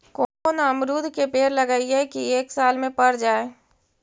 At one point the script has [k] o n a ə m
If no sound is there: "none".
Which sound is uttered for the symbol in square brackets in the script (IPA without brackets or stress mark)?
k